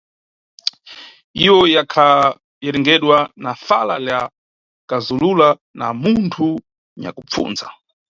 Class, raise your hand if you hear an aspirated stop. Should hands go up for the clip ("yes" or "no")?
yes